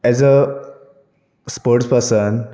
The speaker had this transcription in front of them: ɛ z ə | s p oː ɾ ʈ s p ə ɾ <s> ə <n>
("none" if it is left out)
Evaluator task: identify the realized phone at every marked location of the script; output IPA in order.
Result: s, n

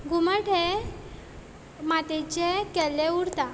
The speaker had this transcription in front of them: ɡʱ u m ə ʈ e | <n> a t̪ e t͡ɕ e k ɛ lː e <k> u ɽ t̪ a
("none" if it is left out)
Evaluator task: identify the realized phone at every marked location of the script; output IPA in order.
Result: m, none

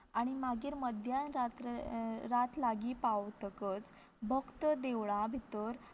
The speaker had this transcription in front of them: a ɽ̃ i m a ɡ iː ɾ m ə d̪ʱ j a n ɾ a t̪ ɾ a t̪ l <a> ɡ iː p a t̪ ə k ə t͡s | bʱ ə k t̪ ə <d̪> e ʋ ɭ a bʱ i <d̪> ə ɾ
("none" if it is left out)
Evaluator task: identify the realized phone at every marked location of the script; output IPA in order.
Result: a, d̪, t̪

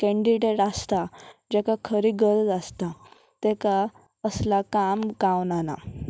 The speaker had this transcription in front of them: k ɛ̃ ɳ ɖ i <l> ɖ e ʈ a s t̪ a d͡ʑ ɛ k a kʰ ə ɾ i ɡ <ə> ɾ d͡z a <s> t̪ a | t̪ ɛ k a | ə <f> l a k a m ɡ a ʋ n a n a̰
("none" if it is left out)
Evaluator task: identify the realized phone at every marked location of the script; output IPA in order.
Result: none, ə, s, s

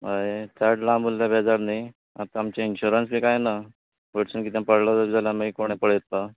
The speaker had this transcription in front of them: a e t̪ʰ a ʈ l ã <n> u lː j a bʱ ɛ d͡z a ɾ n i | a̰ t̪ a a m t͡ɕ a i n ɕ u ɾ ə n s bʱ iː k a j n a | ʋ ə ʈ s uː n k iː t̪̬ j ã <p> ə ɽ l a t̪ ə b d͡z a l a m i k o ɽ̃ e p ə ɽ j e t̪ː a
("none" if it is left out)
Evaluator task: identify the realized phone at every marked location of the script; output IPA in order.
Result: m, p

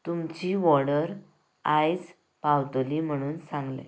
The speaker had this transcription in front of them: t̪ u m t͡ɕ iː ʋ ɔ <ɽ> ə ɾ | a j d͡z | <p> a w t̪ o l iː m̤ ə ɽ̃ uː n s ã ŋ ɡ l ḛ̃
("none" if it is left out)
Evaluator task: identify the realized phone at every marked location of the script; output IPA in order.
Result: ɽ, p

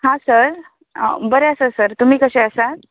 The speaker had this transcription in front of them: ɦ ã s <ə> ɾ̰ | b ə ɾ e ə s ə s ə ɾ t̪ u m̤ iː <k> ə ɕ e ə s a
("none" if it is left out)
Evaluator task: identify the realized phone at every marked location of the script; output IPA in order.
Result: ə, k

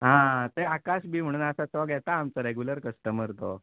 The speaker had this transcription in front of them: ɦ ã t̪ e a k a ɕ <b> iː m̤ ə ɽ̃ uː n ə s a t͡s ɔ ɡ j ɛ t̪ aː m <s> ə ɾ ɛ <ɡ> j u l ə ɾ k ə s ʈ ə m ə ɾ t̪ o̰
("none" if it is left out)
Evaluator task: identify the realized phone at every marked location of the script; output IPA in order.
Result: b, t͡s, ɡ

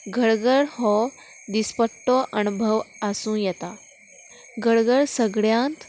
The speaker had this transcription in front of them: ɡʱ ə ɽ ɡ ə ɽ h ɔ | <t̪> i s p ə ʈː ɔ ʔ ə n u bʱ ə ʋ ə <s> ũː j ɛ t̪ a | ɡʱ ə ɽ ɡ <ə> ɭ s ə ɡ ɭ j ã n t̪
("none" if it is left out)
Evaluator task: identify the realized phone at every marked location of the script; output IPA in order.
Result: d̪, s, ə

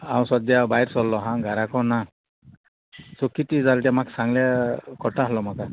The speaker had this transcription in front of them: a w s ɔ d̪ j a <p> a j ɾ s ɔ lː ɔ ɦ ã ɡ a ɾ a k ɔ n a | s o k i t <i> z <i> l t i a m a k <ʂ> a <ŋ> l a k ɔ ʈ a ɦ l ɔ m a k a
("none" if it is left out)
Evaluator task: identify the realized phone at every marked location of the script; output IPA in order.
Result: b, i, a, s, ŋ

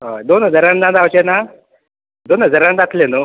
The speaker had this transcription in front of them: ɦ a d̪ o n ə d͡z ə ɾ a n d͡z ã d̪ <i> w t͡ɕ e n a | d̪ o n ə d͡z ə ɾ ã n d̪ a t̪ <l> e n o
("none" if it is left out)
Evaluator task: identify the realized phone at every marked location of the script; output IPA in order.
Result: a, l

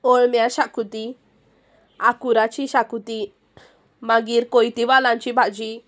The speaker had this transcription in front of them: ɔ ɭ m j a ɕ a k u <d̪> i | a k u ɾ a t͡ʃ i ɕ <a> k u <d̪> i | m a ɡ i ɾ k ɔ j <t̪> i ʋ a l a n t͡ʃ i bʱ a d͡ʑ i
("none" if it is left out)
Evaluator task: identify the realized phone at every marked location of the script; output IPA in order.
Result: t̪, a, t̪, t̪

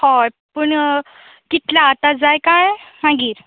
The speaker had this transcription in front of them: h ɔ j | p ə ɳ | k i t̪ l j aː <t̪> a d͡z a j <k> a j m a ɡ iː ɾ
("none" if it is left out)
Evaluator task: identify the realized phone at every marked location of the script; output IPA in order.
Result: t̪, k

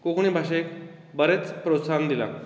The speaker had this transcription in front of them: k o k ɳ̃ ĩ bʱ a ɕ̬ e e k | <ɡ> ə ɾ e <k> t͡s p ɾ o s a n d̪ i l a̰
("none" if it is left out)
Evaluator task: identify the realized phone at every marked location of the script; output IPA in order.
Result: b, none

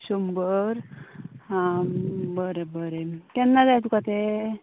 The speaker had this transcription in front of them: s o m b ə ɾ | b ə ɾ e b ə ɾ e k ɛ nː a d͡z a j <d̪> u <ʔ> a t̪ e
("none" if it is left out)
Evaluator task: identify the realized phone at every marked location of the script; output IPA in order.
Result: t̪, k

